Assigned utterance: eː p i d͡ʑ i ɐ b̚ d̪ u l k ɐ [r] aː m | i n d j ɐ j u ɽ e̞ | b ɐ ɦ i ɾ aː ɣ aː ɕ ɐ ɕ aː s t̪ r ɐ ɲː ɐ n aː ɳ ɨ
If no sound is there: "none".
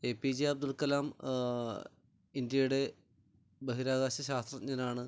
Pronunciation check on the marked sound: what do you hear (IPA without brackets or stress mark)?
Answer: l